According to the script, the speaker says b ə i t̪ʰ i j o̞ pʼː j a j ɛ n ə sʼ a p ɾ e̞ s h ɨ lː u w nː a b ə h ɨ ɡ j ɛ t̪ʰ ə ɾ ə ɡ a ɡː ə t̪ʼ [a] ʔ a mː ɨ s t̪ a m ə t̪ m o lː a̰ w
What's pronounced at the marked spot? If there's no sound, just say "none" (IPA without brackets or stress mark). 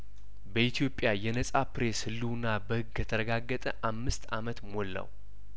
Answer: ə